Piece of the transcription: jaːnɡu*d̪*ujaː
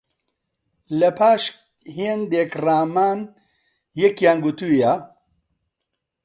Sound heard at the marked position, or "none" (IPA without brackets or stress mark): t̪